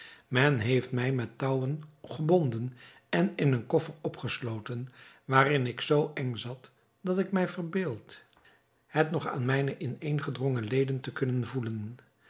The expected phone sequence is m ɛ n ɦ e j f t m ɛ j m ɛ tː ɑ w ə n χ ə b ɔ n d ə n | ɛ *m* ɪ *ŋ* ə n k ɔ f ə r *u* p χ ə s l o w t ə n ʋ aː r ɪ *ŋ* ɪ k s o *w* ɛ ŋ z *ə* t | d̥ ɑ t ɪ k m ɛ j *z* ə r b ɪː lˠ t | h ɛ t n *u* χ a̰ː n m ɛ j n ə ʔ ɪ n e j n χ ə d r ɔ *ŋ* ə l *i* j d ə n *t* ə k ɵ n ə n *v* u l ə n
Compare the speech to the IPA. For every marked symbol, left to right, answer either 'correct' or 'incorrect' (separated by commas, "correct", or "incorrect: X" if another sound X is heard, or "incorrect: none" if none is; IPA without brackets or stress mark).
incorrect: n, incorrect: n, incorrect: ɔ, incorrect: n, correct, incorrect: ɑ, incorrect: v, incorrect: ɔ, correct, incorrect: e, correct, correct